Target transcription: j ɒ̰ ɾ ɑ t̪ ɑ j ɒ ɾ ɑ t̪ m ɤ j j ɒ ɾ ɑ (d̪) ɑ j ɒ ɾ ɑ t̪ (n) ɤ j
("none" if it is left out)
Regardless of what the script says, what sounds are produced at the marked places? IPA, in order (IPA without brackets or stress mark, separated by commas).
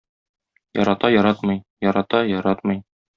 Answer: t̪, m